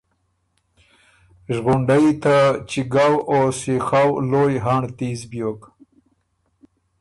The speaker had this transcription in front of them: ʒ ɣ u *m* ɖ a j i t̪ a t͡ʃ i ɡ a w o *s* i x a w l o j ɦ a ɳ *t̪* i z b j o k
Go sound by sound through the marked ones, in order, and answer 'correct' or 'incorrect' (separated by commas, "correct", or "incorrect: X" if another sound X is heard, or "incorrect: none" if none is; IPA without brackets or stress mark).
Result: incorrect: ɳ, correct, correct